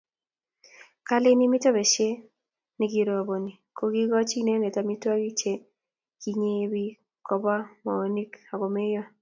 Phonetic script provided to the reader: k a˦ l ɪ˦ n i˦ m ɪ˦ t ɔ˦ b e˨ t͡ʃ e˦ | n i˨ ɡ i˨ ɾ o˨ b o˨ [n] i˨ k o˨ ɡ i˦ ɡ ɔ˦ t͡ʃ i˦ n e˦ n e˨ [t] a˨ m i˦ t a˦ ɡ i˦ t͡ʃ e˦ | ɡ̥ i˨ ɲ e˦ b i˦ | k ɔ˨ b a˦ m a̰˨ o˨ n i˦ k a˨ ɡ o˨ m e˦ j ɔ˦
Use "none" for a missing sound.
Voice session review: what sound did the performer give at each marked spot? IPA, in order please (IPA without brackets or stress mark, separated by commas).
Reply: n, t